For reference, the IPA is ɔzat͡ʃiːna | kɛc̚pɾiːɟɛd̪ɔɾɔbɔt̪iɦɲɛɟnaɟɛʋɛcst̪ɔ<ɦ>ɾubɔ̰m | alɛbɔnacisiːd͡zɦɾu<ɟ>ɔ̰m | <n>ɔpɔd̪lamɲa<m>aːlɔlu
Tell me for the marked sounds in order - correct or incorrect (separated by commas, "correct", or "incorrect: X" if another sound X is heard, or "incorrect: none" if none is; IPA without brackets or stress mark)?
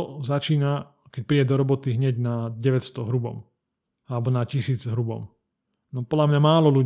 correct, incorrect: b, correct, correct